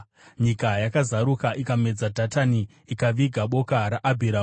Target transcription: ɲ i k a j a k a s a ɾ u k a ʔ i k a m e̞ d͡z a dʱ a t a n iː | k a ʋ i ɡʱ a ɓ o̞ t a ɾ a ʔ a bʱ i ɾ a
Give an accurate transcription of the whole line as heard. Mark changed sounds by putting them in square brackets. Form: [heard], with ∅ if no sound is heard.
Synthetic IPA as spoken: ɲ i k a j a k a [z] a ɾ u k a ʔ i k a m e̞ d͡z a dʱ a t a n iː | k a ʋ i ɡʱ a ɓ o̞ [k] a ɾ a ʔ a bʱ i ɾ a